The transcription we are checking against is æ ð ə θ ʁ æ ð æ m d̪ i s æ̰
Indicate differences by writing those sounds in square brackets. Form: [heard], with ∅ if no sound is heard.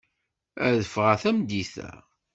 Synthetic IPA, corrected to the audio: æ ð ə [f] ʁ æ [θ] æ m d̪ i [θ] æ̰